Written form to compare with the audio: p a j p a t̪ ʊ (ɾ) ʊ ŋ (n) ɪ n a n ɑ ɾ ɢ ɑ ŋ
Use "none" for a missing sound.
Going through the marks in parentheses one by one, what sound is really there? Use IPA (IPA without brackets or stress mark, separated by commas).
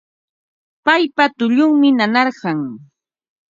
ʎ, m